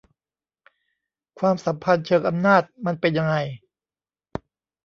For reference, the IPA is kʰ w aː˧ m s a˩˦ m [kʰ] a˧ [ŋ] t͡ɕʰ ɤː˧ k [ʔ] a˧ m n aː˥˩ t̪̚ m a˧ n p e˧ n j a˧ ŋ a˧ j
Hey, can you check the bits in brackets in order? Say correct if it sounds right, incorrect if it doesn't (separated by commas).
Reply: incorrect, incorrect, correct